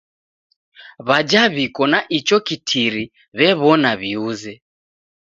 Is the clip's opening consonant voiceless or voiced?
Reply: voiced